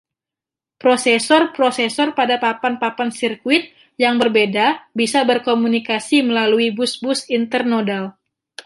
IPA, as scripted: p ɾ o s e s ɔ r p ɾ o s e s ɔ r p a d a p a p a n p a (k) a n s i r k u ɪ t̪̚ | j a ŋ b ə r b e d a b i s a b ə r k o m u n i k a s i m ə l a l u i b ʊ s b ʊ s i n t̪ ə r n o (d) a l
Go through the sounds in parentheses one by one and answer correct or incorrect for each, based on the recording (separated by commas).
incorrect, correct